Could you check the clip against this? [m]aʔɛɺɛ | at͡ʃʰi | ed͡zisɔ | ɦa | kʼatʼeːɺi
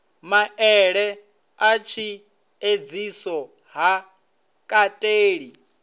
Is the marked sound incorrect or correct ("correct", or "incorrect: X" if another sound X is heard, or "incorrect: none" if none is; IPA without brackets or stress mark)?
correct